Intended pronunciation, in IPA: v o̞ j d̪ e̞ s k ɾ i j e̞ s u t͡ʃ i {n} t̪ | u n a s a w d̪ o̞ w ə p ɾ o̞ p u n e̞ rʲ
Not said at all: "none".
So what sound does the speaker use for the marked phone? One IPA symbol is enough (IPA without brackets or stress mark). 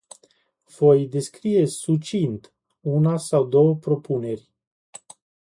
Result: n